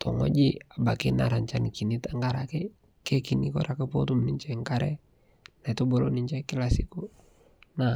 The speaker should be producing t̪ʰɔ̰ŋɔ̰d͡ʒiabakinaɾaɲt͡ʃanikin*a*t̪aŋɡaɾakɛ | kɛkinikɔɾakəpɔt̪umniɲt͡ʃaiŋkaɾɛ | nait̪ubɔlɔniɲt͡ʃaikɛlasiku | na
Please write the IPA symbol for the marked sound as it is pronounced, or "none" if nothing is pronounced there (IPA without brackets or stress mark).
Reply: i